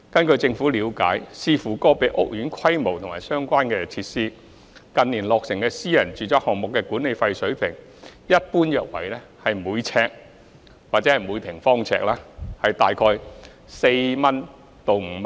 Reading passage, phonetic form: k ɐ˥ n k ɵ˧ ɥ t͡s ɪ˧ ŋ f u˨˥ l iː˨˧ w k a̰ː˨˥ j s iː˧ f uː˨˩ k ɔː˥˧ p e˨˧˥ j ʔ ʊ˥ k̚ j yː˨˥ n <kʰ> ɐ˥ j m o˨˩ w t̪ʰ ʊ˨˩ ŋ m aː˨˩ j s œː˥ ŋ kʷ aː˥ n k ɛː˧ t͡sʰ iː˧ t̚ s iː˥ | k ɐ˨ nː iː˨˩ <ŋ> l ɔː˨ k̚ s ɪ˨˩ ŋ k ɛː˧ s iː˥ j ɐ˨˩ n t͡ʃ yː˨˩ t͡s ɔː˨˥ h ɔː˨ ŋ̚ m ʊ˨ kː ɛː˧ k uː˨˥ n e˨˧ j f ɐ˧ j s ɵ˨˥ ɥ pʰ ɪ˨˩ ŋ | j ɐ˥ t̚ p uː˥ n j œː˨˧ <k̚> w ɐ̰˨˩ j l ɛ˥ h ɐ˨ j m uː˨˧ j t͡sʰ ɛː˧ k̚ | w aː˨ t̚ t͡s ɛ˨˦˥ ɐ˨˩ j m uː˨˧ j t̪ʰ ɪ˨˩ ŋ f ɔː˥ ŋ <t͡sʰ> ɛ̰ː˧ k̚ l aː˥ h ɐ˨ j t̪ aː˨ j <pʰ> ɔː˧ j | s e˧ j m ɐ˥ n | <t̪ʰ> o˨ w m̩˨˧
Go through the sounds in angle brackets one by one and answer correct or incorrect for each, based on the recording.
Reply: correct, incorrect, correct, correct, incorrect, incorrect

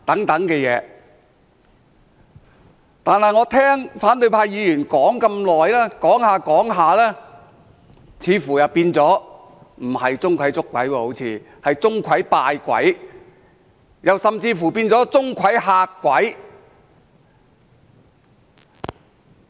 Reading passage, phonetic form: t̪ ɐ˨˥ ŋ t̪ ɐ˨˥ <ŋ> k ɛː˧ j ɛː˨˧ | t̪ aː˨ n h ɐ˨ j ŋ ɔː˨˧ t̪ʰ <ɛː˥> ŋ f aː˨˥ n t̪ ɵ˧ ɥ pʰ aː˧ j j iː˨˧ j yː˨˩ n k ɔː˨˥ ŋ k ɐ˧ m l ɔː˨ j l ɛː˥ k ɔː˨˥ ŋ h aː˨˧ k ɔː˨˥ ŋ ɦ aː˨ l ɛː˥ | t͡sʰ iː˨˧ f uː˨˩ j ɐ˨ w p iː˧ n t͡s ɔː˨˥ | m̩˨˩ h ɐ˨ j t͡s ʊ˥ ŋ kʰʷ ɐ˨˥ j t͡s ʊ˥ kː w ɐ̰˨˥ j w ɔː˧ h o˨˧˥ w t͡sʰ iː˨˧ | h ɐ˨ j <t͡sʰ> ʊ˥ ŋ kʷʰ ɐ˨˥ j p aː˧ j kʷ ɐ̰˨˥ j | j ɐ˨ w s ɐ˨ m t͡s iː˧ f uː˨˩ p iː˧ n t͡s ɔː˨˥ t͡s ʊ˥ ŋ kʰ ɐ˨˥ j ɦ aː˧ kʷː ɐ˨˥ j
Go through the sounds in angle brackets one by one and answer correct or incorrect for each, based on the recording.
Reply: correct, correct, incorrect

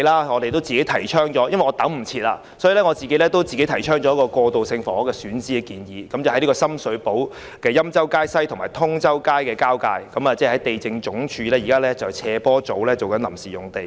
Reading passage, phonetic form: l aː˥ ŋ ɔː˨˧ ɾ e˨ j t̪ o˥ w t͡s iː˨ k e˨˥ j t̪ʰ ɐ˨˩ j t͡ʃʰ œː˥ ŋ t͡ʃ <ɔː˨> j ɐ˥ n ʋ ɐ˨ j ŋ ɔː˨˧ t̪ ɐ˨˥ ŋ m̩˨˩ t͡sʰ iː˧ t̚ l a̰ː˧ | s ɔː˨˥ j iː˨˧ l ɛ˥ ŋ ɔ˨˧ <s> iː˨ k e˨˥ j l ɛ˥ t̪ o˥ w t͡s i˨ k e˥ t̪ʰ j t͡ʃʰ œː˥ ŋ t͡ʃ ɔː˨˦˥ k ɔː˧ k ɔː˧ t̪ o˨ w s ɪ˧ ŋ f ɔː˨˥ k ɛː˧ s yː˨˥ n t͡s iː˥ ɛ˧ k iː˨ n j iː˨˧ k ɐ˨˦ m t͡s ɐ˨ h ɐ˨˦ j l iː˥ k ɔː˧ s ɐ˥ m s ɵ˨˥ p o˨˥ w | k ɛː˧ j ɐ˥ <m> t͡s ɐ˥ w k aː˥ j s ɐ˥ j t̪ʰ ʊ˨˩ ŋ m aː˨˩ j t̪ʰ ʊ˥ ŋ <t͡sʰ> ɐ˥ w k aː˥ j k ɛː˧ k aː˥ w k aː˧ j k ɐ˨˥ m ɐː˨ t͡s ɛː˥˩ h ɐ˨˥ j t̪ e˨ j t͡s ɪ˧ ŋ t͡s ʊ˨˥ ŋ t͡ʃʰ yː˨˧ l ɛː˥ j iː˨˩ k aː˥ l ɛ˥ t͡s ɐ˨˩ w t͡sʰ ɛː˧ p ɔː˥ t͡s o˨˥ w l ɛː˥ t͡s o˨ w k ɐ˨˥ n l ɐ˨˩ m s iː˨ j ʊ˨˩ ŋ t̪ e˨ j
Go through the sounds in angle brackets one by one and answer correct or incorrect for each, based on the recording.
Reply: incorrect, incorrect, correct, incorrect

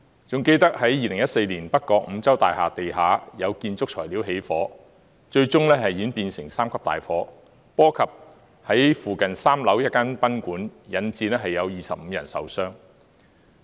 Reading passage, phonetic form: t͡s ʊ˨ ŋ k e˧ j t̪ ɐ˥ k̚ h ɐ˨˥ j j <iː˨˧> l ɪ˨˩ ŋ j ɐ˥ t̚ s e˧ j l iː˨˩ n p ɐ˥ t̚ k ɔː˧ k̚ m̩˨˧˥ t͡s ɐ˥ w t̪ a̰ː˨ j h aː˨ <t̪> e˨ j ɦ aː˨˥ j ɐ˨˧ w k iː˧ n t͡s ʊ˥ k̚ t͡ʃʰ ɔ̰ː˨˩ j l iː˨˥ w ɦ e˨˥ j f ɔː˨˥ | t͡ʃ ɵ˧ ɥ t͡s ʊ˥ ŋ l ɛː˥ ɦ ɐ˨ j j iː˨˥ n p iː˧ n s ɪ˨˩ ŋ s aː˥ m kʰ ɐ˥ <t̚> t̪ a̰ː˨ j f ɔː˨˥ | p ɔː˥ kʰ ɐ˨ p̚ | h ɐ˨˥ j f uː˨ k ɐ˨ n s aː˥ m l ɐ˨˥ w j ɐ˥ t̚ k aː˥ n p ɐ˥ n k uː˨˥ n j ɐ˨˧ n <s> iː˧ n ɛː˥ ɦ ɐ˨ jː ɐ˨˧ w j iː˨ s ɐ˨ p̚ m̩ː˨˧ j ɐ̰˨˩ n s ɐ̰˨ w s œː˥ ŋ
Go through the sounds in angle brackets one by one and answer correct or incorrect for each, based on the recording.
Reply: correct, correct, incorrect, incorrect

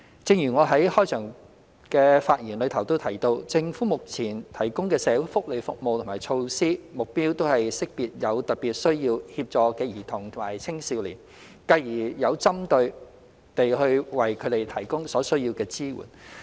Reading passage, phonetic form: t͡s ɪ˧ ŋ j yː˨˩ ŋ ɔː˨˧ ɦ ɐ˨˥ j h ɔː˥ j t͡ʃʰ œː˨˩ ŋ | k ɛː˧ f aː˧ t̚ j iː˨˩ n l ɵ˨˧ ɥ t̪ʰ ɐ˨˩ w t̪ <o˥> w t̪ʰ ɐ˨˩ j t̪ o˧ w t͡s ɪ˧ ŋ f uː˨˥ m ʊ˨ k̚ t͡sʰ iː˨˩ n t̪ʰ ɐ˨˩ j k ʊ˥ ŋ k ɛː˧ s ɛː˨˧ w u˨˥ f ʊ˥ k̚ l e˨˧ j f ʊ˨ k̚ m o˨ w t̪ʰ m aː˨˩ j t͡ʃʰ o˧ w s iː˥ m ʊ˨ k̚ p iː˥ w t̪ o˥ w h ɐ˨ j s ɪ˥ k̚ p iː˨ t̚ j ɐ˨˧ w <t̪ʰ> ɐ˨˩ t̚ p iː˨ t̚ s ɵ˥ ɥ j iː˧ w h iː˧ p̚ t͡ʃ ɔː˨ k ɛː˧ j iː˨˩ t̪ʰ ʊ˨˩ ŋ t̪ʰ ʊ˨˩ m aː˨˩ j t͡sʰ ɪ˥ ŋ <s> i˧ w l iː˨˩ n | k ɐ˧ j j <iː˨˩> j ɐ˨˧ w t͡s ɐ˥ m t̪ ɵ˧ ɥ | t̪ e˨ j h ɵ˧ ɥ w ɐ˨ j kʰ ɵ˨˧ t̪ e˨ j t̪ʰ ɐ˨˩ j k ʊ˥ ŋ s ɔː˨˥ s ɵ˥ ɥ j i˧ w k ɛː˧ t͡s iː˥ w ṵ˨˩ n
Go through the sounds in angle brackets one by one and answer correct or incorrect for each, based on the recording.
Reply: correct, incorrect, correct, correct

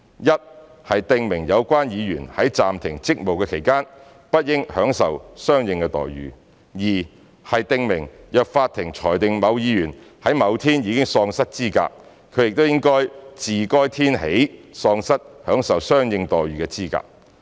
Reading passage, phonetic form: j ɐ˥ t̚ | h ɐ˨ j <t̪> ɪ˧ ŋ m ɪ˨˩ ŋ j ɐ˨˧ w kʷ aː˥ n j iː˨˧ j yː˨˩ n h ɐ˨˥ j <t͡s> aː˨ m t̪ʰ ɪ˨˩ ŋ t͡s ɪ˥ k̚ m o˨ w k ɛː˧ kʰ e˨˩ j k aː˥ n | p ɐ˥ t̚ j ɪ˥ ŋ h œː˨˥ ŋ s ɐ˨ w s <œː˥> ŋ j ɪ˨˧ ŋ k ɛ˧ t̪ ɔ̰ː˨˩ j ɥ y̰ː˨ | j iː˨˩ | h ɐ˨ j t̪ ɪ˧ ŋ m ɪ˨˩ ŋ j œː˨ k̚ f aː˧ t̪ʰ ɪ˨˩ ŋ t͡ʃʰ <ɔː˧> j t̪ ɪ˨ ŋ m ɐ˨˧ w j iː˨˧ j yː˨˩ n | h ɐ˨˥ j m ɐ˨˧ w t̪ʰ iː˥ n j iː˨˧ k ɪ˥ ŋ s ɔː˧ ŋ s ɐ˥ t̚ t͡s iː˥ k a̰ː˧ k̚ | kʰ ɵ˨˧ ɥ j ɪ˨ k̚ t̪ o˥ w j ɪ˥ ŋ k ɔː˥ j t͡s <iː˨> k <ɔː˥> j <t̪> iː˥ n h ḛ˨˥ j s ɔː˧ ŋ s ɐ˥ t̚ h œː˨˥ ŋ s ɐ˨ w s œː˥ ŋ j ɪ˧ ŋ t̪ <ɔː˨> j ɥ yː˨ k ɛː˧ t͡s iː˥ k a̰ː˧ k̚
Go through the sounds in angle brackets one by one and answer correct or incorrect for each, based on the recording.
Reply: correct, correct, correct, incorrect, correct, correct, incorrect, correct

